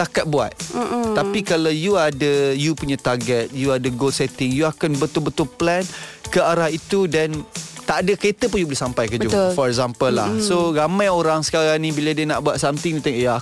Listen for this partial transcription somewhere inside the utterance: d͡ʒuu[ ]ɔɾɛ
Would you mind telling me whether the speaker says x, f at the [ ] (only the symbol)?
f